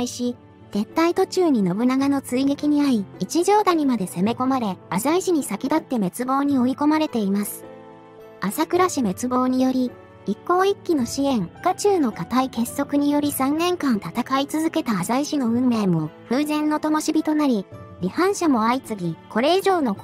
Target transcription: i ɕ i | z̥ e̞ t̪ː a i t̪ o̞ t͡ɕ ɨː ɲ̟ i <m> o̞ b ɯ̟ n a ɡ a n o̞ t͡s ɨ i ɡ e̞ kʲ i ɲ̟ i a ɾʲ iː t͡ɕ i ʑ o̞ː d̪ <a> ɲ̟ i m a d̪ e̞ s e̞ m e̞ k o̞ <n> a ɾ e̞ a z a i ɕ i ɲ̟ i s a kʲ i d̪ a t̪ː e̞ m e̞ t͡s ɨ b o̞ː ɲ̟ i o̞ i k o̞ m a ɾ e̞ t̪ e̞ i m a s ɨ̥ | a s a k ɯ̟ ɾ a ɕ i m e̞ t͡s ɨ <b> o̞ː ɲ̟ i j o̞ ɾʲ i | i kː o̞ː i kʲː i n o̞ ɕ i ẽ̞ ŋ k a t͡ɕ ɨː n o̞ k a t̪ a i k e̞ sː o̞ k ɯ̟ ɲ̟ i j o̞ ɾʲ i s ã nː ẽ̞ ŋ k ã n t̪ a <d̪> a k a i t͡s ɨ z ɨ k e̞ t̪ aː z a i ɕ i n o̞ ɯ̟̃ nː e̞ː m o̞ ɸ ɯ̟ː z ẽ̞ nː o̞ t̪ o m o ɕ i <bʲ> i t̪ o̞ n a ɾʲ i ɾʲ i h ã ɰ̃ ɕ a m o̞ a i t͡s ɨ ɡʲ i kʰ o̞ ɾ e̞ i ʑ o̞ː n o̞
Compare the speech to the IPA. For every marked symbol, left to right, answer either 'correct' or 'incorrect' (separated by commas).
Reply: incorrect, correct, incorrect, correct, incorrect, correct